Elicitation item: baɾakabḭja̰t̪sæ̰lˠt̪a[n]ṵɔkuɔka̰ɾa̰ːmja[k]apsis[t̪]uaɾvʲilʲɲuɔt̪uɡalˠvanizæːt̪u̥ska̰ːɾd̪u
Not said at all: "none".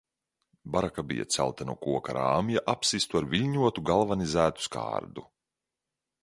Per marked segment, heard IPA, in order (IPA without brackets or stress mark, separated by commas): n, ʔ, t̪